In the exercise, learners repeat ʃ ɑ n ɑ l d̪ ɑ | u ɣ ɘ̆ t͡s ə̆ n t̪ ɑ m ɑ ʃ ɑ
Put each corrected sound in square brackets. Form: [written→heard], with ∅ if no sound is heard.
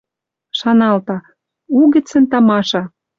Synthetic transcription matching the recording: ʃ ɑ n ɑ l [d̪→t̪] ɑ | u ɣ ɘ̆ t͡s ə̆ n t̪ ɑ m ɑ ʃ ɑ